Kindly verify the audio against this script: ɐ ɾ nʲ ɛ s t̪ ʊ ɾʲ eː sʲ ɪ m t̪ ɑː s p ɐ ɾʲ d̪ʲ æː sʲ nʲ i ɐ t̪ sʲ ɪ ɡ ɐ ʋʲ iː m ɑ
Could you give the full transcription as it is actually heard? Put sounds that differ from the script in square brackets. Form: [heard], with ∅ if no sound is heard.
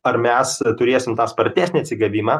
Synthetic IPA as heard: ɐ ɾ [mʲ] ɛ s t̪ ʊ ɾʲ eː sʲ ɪ m t̪ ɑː s p ɐ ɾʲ [t̪ʲ] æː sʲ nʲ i ɐ t̪ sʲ ɪ ɡ ɐ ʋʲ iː m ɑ